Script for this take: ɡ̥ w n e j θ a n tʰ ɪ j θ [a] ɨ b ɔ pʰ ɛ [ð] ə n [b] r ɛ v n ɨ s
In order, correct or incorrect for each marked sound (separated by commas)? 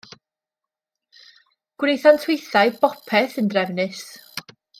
correct, incorrect, incorrect